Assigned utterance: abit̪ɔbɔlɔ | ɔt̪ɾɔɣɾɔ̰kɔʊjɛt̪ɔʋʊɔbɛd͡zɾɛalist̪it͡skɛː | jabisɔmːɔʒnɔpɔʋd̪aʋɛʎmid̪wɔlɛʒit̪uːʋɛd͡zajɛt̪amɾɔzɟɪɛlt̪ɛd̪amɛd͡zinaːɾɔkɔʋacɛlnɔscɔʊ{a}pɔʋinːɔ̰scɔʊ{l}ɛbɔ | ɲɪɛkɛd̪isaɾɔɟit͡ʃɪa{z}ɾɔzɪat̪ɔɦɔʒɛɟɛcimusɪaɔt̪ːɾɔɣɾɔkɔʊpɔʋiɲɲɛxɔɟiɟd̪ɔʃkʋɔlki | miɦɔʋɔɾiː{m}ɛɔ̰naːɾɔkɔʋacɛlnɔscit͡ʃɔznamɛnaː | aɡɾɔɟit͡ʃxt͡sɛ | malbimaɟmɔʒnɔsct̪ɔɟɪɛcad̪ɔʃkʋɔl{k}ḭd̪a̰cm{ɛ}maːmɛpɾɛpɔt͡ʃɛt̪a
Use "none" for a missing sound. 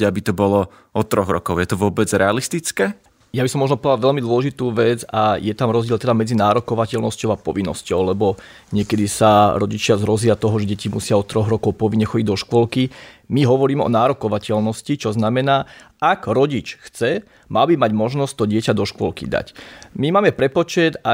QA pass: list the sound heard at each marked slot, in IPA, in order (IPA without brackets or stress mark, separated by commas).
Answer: a, l, z, m, k, i